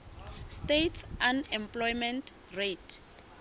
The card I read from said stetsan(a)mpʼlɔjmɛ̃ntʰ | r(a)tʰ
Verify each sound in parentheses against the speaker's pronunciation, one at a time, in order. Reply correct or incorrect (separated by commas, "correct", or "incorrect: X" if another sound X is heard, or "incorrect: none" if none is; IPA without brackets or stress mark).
incorrect: ɛ, incorrect: e